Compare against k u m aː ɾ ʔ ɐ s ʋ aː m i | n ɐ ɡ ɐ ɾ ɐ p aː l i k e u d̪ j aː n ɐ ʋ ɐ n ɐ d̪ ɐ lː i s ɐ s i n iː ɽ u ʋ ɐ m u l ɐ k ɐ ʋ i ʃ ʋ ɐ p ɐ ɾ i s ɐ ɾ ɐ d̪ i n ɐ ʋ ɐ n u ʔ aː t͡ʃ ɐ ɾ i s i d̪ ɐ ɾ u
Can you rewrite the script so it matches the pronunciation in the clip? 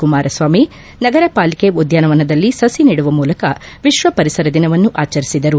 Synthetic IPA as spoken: k u m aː ɾ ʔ ɐ s ʋ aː m i | n ɐ ɡ ɐ ɾ ɐ p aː l i k e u d̪ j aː n ɐ ʋ ɐ n ɐ d̪ ɐ lː i s ɐ s i n iː ɽ u ʋ ɐ m uː l ɐ k ɐ ʋ i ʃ ʋ ɐ p ɐ ɾ i s ɐ ɾ ɐ d̪ i n ɐ ʋ ɐ nː u ʔ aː t͡ʃ ɐ ɾ i s i d̪ ɐ ɾ u

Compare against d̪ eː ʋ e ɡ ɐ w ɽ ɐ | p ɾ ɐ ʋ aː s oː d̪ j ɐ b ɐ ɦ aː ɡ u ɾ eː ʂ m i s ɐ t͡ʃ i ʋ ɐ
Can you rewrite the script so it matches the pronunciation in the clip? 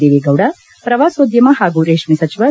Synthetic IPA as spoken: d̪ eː ʋ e ɡ ɐ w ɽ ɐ | p ɾ ɐ ʋ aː s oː d̪ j ɐ m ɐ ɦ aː ɡ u ɾ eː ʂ m i s ɐ t͡ʃ i ʋ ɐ

